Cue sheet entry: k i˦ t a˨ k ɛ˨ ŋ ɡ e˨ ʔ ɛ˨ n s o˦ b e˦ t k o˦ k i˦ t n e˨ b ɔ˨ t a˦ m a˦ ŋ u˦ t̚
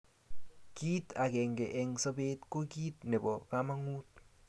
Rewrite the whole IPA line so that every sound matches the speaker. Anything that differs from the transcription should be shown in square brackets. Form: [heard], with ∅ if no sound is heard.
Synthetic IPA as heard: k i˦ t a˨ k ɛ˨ ŋ ɡ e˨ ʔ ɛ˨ [ŋ] s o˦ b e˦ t k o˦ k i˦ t n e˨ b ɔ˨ [k] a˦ m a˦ ŋ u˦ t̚